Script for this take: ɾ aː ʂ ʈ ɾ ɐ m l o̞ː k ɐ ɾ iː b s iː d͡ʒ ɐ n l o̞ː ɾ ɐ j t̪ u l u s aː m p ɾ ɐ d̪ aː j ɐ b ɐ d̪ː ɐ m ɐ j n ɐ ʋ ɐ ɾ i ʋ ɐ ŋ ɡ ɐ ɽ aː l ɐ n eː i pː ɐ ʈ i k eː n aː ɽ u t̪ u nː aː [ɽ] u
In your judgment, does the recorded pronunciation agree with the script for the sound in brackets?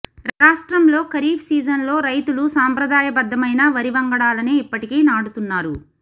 no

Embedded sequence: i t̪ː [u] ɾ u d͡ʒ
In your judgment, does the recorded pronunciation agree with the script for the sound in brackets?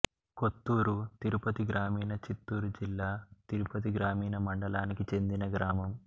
no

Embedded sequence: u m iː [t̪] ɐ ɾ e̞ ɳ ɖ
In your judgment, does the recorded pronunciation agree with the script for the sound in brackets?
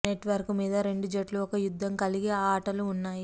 no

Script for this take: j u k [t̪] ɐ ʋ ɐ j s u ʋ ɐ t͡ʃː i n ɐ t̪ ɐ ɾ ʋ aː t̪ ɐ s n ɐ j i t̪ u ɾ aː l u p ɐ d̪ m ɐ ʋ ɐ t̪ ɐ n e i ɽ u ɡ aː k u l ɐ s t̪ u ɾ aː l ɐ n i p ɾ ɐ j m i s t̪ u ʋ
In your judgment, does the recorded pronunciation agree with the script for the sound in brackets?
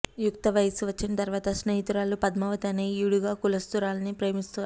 yes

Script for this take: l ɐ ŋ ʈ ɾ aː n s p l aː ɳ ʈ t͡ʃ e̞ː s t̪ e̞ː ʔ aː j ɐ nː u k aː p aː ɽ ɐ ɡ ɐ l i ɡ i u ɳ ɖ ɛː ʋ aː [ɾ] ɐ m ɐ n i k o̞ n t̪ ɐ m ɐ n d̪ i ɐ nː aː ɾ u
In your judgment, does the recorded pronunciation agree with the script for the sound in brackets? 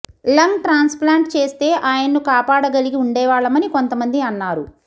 no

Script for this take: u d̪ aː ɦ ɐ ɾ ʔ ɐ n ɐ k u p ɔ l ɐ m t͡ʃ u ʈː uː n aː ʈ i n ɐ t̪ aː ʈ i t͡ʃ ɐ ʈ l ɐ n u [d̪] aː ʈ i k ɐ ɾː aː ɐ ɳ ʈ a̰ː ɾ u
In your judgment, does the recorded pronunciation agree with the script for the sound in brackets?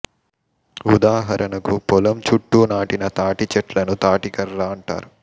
no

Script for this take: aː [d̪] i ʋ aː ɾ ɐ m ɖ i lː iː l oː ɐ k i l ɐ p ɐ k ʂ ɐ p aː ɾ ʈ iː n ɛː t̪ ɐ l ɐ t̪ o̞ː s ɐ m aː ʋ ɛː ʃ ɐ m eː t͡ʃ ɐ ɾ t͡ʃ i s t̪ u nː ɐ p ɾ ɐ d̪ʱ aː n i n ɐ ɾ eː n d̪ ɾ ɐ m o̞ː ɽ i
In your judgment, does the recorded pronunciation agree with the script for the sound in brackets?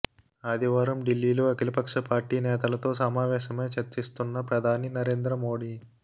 yes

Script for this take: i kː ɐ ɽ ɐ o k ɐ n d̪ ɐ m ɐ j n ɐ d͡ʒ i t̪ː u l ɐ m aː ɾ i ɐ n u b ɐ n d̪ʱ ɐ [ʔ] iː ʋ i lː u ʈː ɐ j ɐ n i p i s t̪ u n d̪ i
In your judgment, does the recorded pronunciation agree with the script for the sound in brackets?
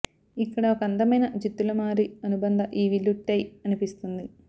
yes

